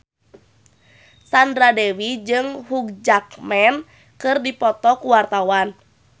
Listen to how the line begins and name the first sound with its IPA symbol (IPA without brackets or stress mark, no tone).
s